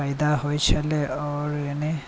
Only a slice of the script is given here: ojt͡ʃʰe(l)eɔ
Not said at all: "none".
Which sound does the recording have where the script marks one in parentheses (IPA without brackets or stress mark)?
l